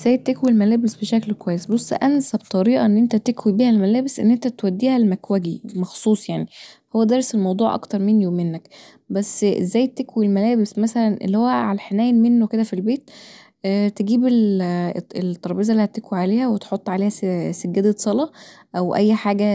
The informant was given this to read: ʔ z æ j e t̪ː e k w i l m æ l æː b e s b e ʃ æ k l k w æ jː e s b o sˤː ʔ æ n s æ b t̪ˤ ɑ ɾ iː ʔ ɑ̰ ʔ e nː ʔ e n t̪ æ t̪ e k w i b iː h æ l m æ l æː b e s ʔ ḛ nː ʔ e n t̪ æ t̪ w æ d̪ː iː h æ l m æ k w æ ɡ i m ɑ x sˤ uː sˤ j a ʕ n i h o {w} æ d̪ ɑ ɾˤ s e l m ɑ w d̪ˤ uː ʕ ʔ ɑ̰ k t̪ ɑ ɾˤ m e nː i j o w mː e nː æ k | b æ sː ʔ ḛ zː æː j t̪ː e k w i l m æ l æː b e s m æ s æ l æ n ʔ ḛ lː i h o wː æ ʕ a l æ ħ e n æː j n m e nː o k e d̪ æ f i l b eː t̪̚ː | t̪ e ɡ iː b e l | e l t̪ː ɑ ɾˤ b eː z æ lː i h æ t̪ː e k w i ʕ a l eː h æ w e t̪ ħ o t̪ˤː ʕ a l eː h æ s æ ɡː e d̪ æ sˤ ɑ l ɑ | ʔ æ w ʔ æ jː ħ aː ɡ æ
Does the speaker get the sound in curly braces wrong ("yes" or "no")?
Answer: yes